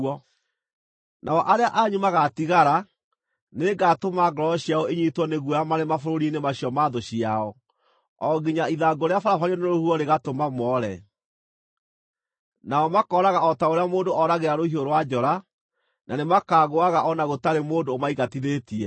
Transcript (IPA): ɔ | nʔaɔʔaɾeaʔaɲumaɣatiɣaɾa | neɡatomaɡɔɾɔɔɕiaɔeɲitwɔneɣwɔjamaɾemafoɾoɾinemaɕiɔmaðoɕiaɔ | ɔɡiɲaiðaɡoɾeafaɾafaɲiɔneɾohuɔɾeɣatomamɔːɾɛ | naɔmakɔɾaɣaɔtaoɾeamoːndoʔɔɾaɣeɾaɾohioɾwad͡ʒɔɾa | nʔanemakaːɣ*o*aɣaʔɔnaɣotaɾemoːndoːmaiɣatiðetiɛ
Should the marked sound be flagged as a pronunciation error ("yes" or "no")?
no